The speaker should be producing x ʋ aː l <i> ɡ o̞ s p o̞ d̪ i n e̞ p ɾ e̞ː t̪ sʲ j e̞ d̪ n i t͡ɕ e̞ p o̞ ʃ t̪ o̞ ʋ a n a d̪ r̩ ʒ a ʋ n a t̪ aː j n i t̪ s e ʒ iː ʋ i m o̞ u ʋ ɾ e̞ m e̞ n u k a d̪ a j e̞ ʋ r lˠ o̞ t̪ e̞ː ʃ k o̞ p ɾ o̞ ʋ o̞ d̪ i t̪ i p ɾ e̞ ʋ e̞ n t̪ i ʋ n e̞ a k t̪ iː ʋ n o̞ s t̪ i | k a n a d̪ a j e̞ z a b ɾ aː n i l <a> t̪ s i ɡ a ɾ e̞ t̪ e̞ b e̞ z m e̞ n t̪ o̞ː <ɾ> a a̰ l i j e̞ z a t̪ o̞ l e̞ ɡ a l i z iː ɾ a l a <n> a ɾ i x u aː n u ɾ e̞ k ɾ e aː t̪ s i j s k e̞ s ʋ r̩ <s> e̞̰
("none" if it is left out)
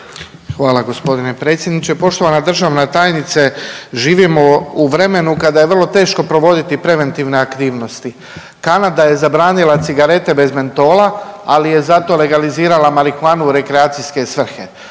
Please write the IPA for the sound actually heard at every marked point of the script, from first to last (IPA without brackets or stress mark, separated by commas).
a, a, l, m, x